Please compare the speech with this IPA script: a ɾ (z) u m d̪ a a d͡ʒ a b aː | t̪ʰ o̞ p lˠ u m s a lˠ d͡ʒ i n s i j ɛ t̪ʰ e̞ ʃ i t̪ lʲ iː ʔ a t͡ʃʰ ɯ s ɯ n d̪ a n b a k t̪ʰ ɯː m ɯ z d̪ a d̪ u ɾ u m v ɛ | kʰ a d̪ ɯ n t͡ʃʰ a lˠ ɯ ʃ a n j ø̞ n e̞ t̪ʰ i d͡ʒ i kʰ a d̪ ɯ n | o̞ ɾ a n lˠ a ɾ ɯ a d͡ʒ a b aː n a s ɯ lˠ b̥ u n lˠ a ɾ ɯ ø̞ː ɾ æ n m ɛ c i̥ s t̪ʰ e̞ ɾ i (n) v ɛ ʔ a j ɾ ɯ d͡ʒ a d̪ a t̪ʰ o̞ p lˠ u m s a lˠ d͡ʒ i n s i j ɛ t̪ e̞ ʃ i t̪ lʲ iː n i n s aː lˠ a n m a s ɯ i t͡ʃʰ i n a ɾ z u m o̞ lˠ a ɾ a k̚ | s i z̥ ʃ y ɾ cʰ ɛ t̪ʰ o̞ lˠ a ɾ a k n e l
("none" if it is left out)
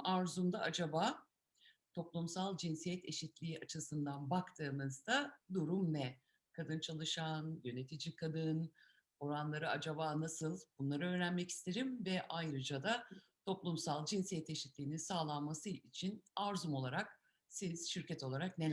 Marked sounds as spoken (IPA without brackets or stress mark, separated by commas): z, m